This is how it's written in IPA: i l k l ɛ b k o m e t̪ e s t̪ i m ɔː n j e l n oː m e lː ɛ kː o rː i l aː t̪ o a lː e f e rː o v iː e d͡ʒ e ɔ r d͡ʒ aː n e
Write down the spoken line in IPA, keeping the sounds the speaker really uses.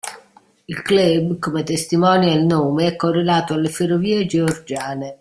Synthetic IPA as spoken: i l k l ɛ b k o m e t̪ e s t̪ i m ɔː n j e l n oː m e ɛ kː o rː e l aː t̪ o a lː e f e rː o v iː e d͡ʒ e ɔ r d͡ʒ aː n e